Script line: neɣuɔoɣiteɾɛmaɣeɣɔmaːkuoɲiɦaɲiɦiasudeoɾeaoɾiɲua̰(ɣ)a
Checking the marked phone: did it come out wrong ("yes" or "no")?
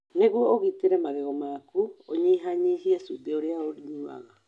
no